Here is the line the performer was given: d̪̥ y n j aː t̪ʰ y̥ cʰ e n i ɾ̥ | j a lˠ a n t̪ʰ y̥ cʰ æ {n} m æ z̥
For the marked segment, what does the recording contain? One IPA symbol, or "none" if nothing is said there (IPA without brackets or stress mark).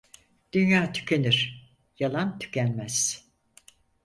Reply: n